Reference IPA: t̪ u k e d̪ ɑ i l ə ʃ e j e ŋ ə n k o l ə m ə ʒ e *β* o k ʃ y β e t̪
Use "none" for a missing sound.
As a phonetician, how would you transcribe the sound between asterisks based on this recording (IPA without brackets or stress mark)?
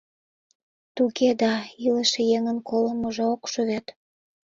none